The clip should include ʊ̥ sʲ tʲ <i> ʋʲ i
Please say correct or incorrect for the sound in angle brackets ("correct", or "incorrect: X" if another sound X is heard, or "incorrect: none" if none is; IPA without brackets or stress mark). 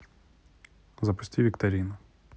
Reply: correct